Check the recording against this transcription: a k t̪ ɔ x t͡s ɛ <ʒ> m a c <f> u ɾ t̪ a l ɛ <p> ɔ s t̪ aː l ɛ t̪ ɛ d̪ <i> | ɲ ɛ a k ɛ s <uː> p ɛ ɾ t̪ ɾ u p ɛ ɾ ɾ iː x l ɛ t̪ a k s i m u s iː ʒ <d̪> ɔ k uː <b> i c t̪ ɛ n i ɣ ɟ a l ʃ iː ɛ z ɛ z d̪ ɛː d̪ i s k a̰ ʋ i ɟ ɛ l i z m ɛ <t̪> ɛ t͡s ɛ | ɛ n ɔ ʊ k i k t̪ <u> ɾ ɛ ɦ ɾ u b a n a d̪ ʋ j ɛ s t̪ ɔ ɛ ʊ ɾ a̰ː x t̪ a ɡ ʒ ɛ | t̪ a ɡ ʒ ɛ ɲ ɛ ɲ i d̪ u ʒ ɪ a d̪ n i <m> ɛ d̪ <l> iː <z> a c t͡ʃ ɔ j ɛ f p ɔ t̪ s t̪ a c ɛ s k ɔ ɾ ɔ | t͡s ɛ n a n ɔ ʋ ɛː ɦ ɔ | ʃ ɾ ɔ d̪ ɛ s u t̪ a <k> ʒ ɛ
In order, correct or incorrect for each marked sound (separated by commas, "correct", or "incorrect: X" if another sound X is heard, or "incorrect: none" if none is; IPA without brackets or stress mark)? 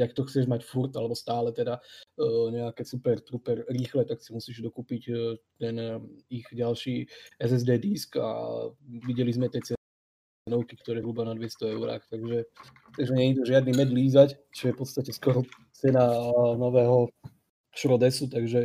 correct, correct, incorrect: b, incorrect: a, incorrect: u, correct, incorrect: p, correct, incorrect: ɔ, correct, correct, correct, incorrect: ɡ